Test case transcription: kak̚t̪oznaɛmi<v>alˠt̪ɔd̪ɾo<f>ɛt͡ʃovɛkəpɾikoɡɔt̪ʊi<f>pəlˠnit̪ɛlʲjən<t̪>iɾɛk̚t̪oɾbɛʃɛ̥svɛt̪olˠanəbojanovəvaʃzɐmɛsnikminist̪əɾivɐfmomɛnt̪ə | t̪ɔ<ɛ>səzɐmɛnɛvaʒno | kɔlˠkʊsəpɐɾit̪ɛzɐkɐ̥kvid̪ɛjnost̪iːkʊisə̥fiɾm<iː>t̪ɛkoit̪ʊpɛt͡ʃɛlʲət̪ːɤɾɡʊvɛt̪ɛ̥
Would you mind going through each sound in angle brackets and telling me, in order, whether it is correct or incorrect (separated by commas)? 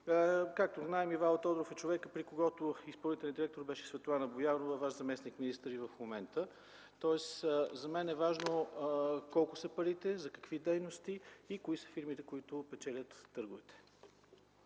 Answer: correct, correct, incorrect, incorrect, correct, incorrect